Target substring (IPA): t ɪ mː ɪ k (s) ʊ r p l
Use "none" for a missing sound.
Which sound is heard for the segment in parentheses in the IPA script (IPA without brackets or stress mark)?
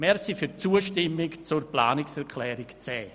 t͡s